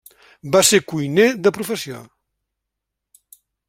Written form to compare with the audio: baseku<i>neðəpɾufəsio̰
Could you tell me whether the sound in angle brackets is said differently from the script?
yes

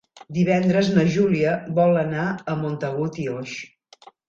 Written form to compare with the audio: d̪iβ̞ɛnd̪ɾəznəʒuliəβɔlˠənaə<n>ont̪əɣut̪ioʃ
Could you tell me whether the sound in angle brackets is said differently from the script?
yes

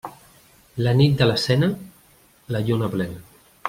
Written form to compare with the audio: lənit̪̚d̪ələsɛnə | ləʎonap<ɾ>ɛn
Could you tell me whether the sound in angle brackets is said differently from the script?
yes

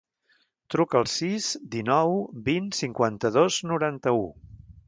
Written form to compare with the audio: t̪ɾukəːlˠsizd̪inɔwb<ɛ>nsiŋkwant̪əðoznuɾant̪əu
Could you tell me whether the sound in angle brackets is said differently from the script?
yes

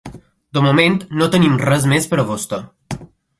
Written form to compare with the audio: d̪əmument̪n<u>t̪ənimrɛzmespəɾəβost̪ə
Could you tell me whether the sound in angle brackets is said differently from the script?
yes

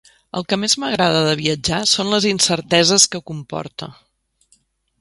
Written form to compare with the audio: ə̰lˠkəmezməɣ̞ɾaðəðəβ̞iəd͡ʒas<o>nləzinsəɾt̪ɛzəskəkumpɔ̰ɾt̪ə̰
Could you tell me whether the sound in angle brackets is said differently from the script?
no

